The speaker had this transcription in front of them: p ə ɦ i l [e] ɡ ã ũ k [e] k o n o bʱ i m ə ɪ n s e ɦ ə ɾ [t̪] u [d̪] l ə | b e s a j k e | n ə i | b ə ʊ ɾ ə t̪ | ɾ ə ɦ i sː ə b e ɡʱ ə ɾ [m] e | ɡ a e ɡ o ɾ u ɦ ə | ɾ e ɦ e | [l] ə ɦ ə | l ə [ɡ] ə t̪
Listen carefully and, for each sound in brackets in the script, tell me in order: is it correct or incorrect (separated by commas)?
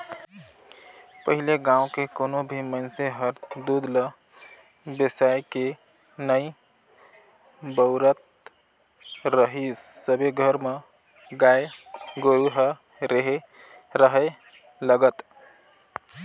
correct, correct, incorrect, correct, correct, incorrect, correct